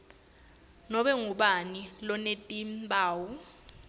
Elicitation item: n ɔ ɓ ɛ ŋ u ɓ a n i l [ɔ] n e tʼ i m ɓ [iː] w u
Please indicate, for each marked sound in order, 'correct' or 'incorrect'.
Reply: correct, incorrect: aː

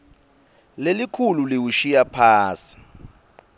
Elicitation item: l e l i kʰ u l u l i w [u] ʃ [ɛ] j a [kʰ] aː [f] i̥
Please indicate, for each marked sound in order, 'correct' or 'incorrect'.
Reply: correct, incorrect: i, incorrect: pʰ, incorrect: s

